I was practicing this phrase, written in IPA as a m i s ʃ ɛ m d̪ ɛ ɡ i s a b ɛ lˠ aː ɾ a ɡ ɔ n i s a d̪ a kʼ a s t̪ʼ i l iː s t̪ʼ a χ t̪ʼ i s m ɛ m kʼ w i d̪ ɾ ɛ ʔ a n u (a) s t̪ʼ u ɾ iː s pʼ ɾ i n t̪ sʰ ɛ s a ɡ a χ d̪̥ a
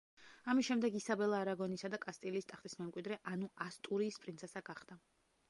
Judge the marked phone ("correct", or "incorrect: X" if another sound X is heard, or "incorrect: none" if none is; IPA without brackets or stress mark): correct